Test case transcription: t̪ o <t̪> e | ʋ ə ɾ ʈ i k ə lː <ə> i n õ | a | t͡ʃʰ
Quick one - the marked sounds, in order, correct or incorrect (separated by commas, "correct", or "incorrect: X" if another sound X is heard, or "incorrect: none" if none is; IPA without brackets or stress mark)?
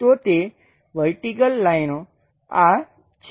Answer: correct, incorrect: a